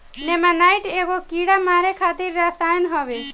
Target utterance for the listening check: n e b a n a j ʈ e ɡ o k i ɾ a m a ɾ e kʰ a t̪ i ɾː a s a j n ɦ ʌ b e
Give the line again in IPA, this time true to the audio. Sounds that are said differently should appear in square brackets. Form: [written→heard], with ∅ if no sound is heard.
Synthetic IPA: n e [b→m] a n a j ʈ e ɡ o k i [ɾ→ɽ] a m a ɾ e kʰ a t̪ i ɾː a s a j n ɦ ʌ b e